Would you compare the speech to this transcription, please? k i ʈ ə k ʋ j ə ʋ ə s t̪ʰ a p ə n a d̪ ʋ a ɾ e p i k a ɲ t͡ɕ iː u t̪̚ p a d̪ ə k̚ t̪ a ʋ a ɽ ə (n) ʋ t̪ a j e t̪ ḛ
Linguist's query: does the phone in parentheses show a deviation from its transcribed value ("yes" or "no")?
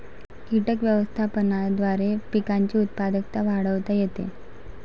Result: yes